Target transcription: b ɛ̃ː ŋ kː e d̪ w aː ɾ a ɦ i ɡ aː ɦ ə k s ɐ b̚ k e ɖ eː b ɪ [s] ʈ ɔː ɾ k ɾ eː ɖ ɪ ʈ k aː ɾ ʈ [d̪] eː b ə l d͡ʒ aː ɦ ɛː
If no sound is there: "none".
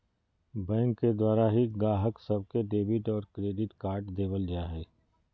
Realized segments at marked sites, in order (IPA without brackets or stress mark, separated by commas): none, d̪